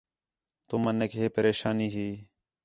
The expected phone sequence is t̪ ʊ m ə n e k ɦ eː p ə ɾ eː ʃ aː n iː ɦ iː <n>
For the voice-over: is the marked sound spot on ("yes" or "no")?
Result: no